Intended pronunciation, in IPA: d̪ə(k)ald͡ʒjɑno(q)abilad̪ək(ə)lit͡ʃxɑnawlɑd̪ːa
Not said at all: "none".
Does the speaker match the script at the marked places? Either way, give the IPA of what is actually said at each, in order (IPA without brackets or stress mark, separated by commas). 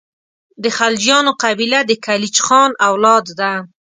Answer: x, q, a